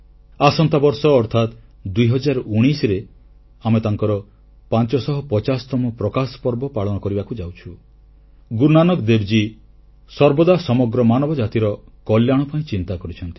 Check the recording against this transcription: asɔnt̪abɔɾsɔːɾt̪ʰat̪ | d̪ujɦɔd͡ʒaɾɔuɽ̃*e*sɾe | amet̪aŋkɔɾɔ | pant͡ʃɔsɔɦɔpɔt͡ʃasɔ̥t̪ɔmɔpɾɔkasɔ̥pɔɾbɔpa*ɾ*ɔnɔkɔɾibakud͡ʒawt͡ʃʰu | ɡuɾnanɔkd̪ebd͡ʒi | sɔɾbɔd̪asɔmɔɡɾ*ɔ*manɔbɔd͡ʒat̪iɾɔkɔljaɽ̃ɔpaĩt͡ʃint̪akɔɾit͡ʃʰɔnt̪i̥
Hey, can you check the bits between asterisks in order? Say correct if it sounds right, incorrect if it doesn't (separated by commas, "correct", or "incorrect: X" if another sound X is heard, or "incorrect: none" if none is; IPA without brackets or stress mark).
incorrect: i, incorrect: ɭ, correct